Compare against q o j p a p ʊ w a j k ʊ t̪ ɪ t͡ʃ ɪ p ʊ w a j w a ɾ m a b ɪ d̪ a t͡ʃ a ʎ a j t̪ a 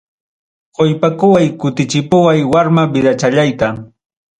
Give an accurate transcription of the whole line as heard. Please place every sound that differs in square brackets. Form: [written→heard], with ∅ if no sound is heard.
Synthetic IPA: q o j p a [p→k] ʊ w a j k ʊ t̪ ɪ t͡ʃ ɪ p ʊ w a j w a ɾ m a b ɪ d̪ a t͡ʃ a ʎ a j t̪ a